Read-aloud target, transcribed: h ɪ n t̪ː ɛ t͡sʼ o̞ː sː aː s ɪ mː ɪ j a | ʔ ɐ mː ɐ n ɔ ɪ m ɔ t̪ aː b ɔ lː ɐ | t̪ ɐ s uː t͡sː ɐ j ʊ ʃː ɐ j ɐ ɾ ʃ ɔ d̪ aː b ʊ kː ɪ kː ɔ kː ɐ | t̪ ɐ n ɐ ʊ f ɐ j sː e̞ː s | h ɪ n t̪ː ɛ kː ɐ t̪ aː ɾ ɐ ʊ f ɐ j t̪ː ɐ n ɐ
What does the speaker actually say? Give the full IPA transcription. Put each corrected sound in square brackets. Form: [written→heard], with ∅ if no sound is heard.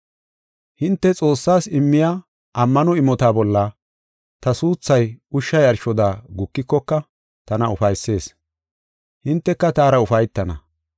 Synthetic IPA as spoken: h ɪ n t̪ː ɛ t͡sʼ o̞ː sː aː s ɪ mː ɪ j a | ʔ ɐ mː ɐ n ɔ ɪ m ɔ t̪ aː b ɔ lː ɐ | t̪ ɐ s uː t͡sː ɐ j ʊ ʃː ɐ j ɐ ɾ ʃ ɔ d̪ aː [b→ɡ] ʊ kː ɪ kː ɔ kː ɐ | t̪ ɐ n ɐ ʊ f ɐ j sː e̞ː s | h ɪ n t̪ː ɛ kː ɐ t̪ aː ɾ ɐ ʊ f ɐ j t̪ː ɐ n ɐ

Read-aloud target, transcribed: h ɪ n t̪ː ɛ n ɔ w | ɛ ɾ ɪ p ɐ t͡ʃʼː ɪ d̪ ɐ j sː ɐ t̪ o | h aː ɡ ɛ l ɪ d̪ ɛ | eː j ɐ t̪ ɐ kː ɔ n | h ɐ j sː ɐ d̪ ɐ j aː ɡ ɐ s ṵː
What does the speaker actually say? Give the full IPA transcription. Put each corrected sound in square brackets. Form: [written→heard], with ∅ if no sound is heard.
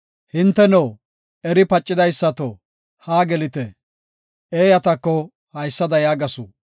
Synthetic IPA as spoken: h ɪ n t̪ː ɛ n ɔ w | ɛ ɾ ɪ p ɐ t͡ʃʼː ɪ d̪ ɐ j sː ɐ t̪ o | h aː ɡ ɛ l ɪ [d̪→t̪] ɛ | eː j ɐ t̪ ɐ kː ɔ [n→∅] | h ɐ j sː ɐ d̪ ɐ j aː ɡ ɐ s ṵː

